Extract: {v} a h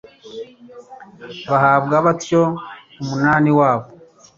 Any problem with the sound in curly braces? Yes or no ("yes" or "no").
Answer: yes